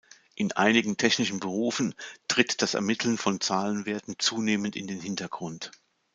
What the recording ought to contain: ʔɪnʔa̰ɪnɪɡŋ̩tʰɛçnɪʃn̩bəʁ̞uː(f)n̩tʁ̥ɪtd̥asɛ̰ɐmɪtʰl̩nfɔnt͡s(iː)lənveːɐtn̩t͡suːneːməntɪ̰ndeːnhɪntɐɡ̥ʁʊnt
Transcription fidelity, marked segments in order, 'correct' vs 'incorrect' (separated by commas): correct, incorrect